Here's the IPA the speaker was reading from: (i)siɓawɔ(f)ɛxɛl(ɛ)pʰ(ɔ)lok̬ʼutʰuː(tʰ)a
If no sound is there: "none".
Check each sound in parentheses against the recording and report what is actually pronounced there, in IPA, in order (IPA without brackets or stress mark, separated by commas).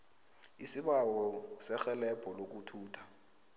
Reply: i, s, ɛ, ɔ, tʰ